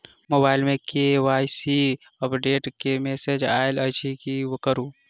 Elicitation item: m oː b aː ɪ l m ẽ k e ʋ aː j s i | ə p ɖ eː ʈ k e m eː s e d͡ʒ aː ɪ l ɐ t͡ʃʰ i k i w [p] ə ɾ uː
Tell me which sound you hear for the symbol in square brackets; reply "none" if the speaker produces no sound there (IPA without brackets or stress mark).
k